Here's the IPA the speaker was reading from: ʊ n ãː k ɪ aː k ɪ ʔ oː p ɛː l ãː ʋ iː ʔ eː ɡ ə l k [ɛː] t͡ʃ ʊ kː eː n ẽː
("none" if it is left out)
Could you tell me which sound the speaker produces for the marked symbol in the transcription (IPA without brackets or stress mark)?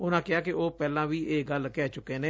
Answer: ɛː